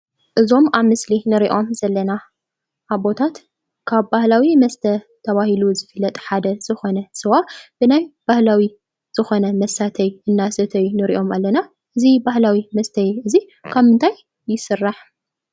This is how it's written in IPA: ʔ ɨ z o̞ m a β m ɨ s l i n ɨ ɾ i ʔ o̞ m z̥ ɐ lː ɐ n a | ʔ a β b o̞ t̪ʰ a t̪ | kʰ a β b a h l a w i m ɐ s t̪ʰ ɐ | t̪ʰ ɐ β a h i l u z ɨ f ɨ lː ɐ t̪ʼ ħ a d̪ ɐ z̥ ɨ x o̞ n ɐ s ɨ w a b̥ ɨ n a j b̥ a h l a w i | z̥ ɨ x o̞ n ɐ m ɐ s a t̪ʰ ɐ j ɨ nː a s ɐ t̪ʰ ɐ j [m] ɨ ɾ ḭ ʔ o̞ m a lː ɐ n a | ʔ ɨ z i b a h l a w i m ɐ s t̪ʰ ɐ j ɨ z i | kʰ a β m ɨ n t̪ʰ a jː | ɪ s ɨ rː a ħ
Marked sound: incorrect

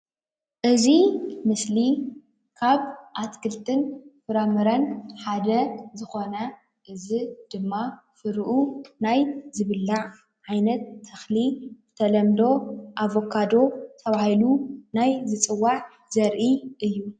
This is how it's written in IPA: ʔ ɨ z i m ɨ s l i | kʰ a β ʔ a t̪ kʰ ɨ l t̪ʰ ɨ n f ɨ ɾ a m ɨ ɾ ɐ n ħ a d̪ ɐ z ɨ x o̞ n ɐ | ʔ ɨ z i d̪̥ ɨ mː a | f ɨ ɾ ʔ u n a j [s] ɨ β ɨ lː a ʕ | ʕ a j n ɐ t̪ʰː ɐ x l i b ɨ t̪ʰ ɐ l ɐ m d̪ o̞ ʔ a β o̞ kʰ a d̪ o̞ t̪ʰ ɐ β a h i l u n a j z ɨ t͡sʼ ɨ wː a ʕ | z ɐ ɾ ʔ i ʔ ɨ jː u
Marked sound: incorrect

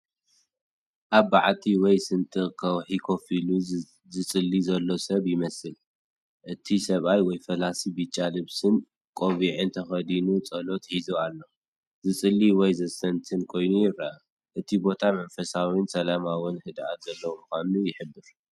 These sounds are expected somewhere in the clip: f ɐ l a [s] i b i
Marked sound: correct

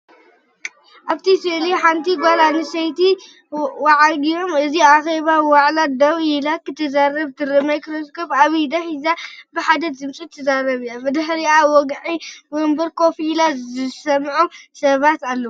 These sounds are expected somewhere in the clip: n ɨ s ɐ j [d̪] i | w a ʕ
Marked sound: incorrect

